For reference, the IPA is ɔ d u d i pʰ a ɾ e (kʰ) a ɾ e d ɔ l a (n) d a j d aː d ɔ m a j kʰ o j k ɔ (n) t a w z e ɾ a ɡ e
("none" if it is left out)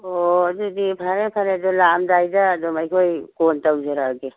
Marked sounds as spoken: pʰ, m, n

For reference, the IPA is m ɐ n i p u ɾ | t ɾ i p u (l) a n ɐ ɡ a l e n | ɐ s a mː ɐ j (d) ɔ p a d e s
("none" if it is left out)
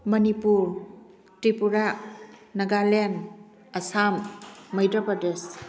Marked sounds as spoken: ɾ, d

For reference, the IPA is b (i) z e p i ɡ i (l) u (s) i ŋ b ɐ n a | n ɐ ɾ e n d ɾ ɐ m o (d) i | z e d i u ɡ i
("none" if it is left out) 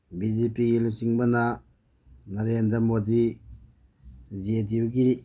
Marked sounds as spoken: i, l, s, d

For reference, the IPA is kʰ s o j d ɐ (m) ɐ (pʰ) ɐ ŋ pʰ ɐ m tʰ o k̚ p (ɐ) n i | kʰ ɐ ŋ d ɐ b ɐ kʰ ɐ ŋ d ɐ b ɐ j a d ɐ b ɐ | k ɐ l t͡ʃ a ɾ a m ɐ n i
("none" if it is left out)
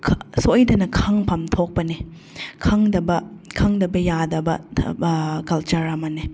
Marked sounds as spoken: n, kʰ, ɐ

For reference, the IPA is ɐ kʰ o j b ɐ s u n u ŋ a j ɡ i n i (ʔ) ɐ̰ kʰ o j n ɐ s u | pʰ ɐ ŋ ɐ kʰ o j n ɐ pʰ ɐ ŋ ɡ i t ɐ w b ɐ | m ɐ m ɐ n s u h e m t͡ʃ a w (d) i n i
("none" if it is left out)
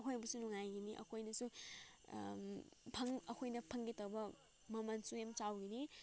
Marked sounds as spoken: ʔ, ɡ

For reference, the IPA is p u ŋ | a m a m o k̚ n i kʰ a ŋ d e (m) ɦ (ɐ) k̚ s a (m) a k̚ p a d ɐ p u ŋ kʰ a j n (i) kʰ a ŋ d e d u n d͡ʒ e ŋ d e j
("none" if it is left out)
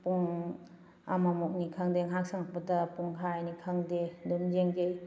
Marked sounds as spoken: ŋ, a, ŋ, i

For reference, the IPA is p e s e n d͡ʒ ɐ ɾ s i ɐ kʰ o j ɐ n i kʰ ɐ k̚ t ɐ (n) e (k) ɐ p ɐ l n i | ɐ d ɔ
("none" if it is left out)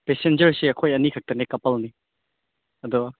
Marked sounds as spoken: n, k

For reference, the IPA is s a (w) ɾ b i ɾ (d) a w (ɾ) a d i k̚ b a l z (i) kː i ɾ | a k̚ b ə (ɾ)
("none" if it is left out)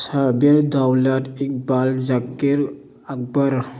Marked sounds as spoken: none, d, l, a, ɾ

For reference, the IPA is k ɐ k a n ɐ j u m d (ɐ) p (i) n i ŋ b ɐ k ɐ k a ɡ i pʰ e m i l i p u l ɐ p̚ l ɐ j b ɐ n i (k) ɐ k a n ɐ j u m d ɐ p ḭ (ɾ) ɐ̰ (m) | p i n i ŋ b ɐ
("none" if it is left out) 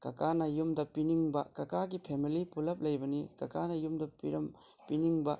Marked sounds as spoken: ɐ, i, k, ɾ, m

